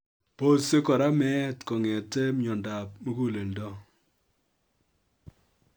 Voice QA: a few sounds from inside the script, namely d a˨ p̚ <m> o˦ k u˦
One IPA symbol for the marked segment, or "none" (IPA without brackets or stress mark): m